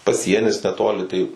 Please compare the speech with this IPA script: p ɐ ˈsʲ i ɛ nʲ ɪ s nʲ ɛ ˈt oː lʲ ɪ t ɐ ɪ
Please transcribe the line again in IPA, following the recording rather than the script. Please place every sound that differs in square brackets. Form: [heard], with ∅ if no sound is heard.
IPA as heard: p ɐ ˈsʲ i ɛ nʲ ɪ s nʲ ɛ ˈt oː lʲ ɪ t ɐ ɪ